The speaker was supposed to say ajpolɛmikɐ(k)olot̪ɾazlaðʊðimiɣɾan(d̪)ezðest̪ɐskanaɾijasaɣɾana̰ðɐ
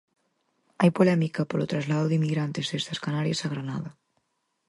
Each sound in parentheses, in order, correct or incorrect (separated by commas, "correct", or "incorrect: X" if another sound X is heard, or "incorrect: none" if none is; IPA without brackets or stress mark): incorrect: p, incorrect: t̪